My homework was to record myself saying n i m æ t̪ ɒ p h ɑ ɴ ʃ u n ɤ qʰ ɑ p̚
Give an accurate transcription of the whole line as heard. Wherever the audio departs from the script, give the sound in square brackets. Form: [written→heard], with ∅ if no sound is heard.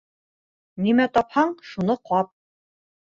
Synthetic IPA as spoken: n i m æ t̪ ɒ p h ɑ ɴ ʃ u n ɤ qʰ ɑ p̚